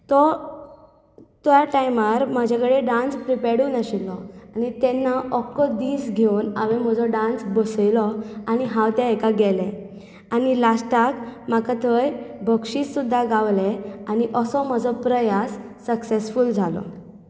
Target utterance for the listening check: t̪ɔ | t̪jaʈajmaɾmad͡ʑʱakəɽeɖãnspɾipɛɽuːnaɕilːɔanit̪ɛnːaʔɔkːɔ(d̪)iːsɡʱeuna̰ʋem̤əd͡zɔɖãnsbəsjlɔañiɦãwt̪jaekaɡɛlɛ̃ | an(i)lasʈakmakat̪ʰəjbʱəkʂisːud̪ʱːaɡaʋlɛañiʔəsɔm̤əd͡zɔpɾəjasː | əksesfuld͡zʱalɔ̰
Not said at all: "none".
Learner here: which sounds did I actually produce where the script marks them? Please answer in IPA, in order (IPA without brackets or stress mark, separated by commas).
d̪, i